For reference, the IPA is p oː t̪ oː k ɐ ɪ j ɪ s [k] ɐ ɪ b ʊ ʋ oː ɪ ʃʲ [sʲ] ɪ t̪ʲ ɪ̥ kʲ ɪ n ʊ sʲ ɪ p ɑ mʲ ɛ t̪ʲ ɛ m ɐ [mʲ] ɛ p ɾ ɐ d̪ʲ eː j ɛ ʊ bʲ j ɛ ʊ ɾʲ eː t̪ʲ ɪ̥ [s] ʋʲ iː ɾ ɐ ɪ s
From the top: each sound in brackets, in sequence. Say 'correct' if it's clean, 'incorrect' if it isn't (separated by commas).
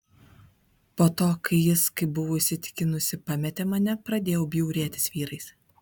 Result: correct, correct, incorrect, correct